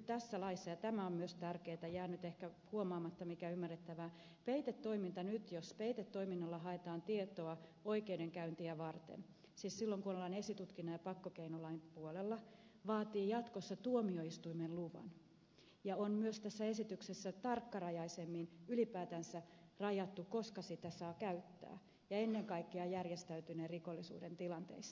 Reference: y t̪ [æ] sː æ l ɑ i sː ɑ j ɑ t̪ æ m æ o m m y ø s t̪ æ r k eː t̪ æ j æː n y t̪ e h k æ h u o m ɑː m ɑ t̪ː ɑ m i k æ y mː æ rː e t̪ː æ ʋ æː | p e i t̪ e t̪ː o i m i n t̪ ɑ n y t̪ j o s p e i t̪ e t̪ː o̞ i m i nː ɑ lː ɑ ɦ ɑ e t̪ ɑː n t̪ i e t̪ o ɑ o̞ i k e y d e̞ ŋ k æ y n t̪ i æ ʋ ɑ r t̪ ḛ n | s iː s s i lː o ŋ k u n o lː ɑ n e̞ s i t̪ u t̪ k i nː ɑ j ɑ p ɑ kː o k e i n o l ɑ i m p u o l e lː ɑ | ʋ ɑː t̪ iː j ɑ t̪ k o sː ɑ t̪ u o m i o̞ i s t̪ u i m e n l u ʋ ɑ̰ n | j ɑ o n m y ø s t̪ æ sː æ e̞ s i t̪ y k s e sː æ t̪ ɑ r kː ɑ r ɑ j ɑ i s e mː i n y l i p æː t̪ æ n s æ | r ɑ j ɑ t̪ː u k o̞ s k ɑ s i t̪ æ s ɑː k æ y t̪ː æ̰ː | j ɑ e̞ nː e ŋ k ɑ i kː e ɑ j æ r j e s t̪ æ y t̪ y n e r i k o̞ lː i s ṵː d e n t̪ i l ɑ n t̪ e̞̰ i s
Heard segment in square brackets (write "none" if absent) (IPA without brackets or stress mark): æ